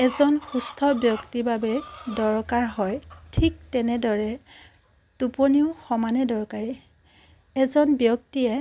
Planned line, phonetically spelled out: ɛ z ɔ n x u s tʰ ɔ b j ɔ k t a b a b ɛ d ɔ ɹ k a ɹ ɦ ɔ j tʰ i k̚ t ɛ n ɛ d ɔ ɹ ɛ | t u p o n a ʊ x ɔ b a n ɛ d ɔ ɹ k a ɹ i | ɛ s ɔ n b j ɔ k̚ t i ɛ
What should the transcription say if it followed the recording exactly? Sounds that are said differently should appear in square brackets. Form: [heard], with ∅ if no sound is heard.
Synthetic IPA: ɛ z ɔ n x u s tʰ ɔ b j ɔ k t [i] b a b ɛ d ɔ ɹ k a ɹ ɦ ɔ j tʰ i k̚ t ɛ n ɛ d ɔ ɹ ɛ | t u p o n [i] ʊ x ɔ [m] a n ɛ d ɔ ɹ k a ɹ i | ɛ [z] ɔ n b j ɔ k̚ t i ɛ